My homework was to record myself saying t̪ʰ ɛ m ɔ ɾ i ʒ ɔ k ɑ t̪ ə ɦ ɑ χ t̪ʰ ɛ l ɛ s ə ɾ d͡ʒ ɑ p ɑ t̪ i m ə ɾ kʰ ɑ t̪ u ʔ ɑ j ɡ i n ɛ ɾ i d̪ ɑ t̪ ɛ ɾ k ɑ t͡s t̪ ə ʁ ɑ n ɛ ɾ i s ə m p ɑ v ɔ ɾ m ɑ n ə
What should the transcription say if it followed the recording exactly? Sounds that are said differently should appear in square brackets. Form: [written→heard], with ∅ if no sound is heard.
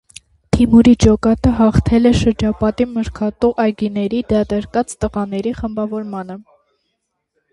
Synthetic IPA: t̪ʰ [ɛ→i] m [ɔ→u] ɾ i [ʒ→d͡ʒ] ɔ k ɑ t̪ ə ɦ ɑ χ t̪ʰ ɛ l ɛ [s→ʃ] ə ɾ d͡ʒ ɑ p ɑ t̪ i m ə ɾ kʰ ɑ t̪ u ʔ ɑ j ɡ i n ɛ ɾ i d̪ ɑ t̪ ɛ ɾ k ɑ t͡s t̪ ə ʁ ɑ n ɛ ɾ i [s→χ] ə m [p→b] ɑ v ɔ ɾ m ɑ n ə